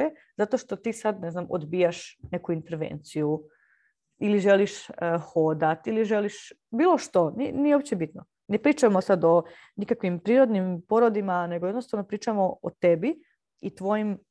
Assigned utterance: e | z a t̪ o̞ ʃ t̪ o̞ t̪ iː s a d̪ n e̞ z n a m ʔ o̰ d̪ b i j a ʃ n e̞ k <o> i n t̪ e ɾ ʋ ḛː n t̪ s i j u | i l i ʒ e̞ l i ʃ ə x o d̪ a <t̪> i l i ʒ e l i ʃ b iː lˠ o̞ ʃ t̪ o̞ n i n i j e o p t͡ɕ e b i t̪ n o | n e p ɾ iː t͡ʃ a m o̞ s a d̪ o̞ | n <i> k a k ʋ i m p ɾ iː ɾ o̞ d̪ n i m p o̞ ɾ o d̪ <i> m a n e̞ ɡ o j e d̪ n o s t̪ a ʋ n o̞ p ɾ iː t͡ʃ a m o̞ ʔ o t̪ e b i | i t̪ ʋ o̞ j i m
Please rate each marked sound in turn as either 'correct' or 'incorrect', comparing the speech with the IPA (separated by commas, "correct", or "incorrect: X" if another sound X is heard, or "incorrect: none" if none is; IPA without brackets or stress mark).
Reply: incorrect: u, correct, correct, correct